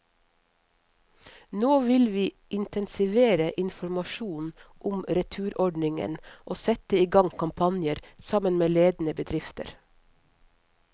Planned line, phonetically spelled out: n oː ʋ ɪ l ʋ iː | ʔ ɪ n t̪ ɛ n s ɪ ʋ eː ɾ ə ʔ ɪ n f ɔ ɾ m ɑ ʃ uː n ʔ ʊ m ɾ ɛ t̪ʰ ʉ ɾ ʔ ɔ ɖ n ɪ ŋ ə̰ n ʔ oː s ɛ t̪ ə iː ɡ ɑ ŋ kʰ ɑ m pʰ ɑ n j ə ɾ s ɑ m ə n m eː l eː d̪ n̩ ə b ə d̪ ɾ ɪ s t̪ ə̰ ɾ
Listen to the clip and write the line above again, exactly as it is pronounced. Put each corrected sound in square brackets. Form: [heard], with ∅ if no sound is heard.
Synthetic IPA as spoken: n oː ʋ ɪ l ʋ iː | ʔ ɪ n t̪ ɛ n s ɪ ʋ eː ɾ ə ʔ ɪ n f ɔ ɾ m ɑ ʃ uː n ʔ ʊ m ɾ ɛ t̪ʰ [ʉː] ɾ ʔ ɔ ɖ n ɪ ŋ ə̰ n ʔ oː s ɛ t̪ ə iː ɡ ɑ ŋ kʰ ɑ m pʰ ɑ n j ə ɾ s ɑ m ə n m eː l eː d̪ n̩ ə b ə d̪ ɾ ɪ [f] t̪ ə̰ ɾ

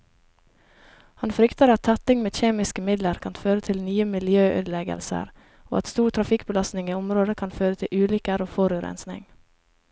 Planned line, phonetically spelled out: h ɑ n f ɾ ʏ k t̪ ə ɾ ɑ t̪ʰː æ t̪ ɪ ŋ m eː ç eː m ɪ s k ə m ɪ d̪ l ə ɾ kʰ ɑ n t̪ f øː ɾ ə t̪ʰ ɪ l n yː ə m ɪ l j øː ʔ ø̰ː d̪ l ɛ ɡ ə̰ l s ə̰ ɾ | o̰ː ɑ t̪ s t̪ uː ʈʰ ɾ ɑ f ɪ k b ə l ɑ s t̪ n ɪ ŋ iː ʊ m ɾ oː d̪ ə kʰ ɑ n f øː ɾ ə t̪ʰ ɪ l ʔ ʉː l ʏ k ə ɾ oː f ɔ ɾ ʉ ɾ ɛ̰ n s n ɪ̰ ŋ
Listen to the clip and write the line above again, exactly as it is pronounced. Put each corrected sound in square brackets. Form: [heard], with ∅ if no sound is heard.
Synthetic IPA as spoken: h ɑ n f ɾ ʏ k t̪ ə ɾ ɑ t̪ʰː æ t̪ ɪ ŋ m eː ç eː m ɪ s k ə m ɪ d̪ l ə ɾ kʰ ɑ n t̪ f øː ɾ ə t̪ʰ ɪ l n yː ə m ɪ l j øː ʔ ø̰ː d̪ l ɛ ɡ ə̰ l s ə̰ ɾ | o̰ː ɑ t̪ s t̪ uː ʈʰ ɾ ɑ f ɪ k b ə l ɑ s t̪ n ɪ ŋ iː ʊ m ɾ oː d̪ ə kʰ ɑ n f øː ɾ ə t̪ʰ ɪ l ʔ ʉː l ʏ k ə ɾ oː f ɔ ɾ ʉ ɾ ɛ̰ n s n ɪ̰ ŋ

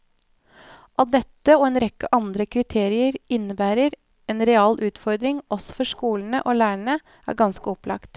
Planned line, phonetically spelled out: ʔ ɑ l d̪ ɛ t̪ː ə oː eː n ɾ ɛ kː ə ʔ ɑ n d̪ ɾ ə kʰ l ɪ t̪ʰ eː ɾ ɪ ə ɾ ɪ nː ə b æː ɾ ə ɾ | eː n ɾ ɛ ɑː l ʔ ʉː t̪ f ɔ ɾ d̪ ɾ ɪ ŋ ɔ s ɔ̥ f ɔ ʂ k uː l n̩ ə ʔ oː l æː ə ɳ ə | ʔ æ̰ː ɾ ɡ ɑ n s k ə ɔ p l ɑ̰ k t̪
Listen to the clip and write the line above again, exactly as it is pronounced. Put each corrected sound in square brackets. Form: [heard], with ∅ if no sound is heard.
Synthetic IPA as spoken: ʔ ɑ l d̪ ɛ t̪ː ə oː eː n ɾ ɛ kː ə ʔ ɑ n d̪ ɾ ə kʰ [ɾ] ɪ t̪ʰ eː ɾ ɪ ə ɾ ɪ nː ə b æː ɾ ə ɾ | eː n ɾ ɛ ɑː l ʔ ʉː t̪ f ɔ ɾ d̪ ɾ ɪ ŋ ɔ s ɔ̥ f ɔ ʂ k uː l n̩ ə ʔ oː l æː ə ɳ ə | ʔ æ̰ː ɾ ɡ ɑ n s k ə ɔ p l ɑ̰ k t̪

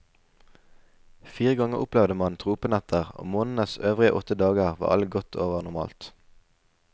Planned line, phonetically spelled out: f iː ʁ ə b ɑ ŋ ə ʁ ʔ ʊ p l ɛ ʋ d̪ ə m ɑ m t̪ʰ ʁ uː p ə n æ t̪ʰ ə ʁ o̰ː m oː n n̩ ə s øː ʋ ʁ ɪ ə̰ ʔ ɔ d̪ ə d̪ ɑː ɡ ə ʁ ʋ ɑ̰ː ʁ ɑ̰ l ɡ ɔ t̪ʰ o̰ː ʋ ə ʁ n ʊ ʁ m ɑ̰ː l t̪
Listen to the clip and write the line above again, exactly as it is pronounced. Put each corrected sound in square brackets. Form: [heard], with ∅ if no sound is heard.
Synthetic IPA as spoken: f iː ʁ ə [ɡ] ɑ ŋ ə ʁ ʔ ʊ p l ɛ ʋ d̪ ə m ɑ [n] t̪ʰ ʁ uː p ə n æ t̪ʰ ə ʁ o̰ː m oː n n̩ ə s øː ʋ ʁ ɪ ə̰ ʔ ɔ [t̪] ə d̪ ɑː ɡ ə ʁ ʋ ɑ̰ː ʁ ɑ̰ l ɡ ɔ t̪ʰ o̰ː ʋ ə ʁ n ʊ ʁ m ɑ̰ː l t̪

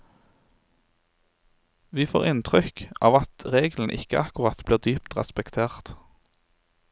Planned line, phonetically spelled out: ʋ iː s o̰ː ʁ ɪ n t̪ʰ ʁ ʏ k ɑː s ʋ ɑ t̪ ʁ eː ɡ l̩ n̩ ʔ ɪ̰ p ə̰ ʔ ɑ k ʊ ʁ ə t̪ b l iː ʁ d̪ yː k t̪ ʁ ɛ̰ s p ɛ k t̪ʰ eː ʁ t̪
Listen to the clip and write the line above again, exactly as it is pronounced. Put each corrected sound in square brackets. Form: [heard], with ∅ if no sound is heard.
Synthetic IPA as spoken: ʋ iː [f] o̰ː ʁ ɪ n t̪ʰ ʁ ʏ k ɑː [∅] ʋ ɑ t̪ ʁ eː ɡ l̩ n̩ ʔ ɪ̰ [k] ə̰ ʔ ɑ k ʊ ʁ [ɑ] t̪ b l iː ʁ d̪ yː [p] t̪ ʁ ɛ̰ s p ɛ k t̪ʰ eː ʁ t̪

